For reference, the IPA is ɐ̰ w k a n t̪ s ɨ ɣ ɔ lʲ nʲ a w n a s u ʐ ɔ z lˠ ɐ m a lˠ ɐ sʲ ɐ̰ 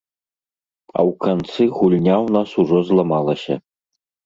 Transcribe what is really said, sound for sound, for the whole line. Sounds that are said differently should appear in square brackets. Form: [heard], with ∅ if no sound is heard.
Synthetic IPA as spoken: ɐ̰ w k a n t̪ s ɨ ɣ [u] lʲ nʲ a w n a s u ʐ ɔ z lˠ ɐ m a lˠ ɐ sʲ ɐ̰